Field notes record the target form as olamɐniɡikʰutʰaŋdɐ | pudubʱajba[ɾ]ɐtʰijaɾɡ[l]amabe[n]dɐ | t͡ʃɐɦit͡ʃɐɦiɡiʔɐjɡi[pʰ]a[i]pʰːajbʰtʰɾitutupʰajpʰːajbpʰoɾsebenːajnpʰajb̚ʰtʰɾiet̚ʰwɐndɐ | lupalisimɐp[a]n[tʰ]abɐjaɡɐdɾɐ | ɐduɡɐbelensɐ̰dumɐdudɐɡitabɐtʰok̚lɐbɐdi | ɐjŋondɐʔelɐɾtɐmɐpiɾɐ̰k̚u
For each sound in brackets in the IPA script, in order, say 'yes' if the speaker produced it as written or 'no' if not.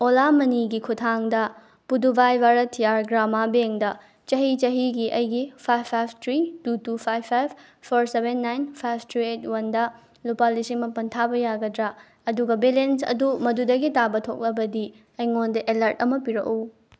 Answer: yes, no, no, yes, no, no, yes

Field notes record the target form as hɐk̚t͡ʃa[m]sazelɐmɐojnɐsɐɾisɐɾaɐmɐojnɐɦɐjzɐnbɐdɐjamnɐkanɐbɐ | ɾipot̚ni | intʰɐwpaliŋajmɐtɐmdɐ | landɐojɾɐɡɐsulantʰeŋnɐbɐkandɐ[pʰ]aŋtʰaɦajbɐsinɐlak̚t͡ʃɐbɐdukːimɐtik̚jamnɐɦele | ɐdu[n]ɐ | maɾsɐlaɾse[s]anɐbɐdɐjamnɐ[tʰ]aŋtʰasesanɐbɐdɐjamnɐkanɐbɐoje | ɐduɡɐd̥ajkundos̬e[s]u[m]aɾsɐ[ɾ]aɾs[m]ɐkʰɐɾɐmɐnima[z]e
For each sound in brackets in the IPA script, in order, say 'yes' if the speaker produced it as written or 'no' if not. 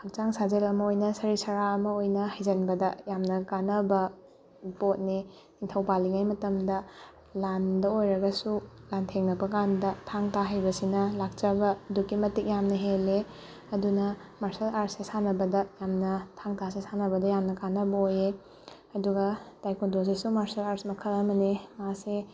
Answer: no, no, yes, yes, yes, yes, yes, no, yes, no

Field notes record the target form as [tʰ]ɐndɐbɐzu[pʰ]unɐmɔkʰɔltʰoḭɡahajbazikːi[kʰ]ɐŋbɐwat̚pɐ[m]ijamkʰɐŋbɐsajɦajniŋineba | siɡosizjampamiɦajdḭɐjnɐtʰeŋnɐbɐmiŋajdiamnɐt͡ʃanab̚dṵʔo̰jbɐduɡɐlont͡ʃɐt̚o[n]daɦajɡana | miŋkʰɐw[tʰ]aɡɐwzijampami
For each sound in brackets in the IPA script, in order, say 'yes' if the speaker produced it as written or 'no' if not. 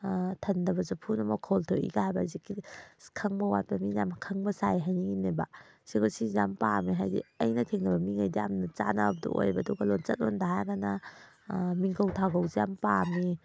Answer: yes, yes, yes, yes, yes, yes

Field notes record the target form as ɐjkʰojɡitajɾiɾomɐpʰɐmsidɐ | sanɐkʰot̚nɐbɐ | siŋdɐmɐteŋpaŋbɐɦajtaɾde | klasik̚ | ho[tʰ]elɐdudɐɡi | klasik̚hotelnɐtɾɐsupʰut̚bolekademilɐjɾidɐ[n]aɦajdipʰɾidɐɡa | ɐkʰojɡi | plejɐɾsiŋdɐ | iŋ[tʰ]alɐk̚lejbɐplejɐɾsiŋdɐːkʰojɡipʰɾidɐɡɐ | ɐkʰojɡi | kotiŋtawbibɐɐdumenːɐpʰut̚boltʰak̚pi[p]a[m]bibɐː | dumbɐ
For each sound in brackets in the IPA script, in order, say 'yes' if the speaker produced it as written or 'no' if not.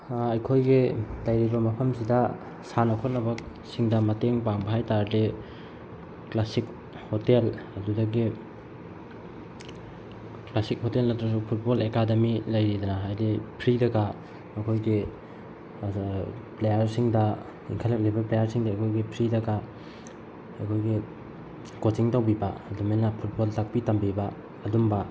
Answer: no, yes, no, no, yes

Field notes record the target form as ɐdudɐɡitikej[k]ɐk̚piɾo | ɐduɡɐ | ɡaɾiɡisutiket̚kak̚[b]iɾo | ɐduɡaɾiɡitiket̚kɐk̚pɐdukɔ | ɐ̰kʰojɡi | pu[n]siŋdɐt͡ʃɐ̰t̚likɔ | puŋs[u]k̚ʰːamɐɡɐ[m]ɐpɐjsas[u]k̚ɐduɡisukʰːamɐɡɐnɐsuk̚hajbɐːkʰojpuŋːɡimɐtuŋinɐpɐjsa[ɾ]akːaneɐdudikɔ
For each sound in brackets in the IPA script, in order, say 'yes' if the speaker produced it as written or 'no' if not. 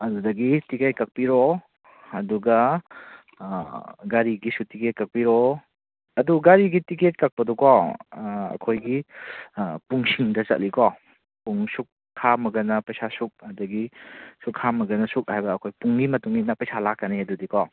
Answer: yes, no, no, yes, no, yes, no

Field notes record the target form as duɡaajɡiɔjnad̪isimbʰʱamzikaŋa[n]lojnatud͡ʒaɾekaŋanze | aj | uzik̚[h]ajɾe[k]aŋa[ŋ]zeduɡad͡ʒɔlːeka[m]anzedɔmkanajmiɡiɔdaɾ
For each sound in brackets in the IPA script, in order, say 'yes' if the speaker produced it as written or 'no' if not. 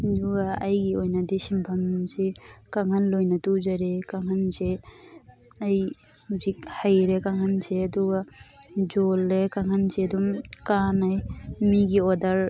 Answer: yes, yes, yes, no, no

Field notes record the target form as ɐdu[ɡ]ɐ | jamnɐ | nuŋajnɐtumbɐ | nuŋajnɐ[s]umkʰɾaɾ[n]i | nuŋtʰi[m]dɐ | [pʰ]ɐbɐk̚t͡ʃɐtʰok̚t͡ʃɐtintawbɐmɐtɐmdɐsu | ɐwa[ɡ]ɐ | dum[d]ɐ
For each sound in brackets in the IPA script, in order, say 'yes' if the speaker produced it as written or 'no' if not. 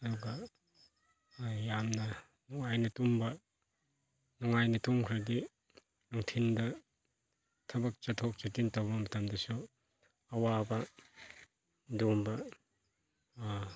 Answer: yes, no, no, no, no, no, no

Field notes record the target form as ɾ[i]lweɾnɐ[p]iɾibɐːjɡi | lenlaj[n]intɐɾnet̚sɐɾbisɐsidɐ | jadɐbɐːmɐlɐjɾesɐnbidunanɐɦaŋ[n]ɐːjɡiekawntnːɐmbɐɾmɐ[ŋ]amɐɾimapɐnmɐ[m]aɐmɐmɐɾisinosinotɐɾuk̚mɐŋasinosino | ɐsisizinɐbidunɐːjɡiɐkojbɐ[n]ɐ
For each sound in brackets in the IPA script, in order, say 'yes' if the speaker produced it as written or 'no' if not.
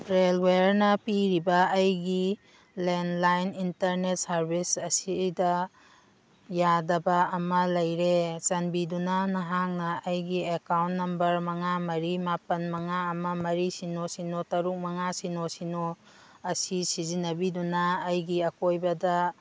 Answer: no, yes, yes, yes, yes, no, no

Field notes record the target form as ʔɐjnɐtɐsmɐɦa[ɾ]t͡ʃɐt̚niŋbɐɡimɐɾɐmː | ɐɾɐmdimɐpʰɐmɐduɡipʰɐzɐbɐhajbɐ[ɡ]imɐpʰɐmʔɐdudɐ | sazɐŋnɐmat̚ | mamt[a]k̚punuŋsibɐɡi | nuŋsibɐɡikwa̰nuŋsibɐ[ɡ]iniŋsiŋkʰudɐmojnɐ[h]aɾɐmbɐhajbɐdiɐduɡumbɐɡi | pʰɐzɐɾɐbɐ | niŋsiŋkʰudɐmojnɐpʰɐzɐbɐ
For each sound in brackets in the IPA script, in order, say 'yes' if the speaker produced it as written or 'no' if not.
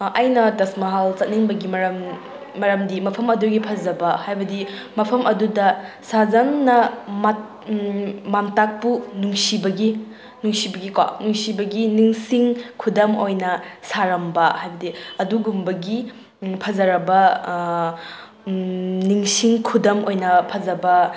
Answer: no, no, yes, yes, no

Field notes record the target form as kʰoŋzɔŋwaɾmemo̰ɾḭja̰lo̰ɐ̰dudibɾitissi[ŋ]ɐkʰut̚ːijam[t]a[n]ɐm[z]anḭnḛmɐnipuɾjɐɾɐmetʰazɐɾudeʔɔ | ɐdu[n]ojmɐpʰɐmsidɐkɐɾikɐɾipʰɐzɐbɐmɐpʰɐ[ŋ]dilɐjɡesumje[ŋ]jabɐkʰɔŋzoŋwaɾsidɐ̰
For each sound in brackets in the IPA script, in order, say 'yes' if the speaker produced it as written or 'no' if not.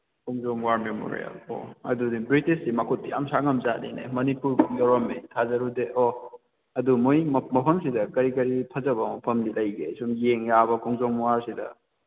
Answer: no, no, no, yes, no, no, yes

